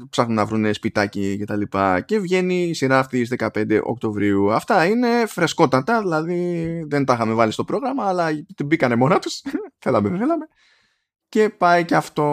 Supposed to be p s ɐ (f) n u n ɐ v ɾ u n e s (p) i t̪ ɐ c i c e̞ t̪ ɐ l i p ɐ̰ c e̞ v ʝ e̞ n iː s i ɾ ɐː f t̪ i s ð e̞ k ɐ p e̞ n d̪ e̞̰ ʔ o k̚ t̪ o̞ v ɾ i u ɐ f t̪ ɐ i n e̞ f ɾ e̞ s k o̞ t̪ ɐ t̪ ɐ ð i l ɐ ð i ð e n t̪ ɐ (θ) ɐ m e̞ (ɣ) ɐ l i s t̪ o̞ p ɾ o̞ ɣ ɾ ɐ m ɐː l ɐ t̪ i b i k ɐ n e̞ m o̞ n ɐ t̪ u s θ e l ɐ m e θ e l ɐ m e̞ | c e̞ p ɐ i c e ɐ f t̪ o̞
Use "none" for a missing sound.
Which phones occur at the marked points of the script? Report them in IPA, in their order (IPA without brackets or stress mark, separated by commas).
x, p, x, v